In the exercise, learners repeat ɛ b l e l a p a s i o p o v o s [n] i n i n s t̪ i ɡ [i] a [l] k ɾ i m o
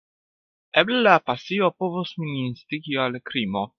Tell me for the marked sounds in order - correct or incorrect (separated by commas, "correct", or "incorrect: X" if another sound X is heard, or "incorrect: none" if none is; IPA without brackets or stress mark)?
incorrect: m, correct, correct